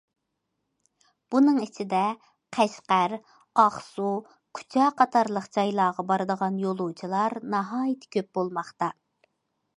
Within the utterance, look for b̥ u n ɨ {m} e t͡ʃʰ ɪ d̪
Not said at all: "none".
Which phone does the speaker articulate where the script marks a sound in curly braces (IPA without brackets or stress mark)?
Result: ŋ